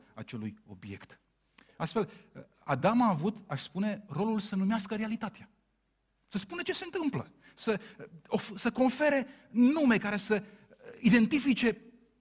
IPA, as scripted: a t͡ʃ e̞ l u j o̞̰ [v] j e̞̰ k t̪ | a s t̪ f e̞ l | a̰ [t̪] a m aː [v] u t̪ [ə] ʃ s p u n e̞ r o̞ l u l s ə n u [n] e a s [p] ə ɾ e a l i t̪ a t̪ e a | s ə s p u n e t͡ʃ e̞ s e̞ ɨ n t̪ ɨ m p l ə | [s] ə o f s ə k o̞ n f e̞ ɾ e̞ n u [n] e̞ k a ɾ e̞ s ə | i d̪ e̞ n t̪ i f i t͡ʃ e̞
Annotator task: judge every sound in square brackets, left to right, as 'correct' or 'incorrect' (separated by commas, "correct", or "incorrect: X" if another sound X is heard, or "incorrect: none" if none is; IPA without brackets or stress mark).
incorrect: b, incorrect: d̪, correct, incorrect: a, incorrect: m, incorrect: k, correct, incorrect: m